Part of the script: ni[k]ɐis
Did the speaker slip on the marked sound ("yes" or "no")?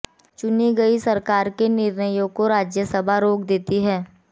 yes